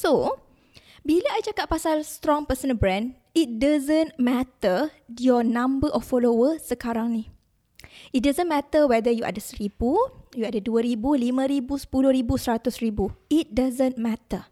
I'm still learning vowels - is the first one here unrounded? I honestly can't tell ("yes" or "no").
no